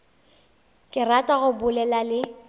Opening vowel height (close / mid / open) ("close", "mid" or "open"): close